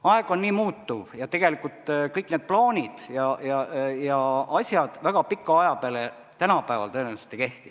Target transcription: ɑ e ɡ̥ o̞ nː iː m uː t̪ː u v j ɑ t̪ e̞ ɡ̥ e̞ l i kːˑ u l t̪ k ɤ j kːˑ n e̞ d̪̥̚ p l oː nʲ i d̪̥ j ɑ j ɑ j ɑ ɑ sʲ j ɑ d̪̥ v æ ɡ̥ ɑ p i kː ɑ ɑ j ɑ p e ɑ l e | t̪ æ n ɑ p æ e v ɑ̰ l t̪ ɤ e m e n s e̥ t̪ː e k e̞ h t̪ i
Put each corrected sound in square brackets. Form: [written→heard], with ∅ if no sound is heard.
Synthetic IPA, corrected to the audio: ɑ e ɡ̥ o̞ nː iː m uː t̪ː u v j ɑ t̪ e̞ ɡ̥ e̞ l i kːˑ u l t̪ k ɤ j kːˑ n e̞ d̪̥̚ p l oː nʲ i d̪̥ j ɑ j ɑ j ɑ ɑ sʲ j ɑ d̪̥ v æ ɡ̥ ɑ p i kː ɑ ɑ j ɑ p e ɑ l e | t̪ æ n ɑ p æ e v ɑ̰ l t̪ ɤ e [m→n] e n s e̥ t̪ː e k e̞ h t̪ i